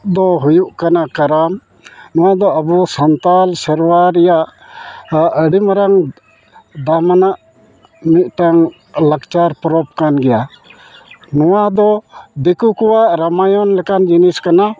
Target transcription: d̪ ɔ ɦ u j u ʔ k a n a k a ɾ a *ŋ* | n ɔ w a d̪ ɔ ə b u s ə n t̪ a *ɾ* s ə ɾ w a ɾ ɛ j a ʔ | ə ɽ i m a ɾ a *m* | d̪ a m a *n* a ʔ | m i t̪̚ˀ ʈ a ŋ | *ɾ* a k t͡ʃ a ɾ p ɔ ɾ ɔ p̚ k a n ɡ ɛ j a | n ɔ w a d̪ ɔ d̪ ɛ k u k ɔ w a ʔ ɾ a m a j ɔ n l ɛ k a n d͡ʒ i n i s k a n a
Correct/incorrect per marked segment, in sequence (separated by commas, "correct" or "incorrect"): incorrect, incorrect, incorrect, correct, incorrect